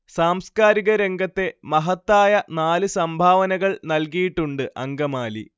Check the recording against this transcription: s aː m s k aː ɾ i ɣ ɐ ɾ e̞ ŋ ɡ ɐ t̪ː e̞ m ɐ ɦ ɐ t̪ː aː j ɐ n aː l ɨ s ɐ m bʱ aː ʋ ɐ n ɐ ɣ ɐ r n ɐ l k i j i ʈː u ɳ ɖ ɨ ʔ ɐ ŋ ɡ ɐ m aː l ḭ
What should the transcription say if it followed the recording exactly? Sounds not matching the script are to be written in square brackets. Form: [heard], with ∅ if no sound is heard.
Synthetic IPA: s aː m s k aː ɾ i ɣ ɐ ɾ e̞ ŋ ɡ ɐ t̪ː e̞ m ɐ ɦ ɐ t̪ː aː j ɐ n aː l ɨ s ɐ m bʱ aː ʋ ɐ n ɐ ɣ ɐ [ɭ] n ɐ l k i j i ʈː u ɳ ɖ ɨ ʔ ɐ ŋ ɡ ɐ m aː l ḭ